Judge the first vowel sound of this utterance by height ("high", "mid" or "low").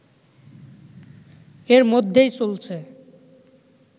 mid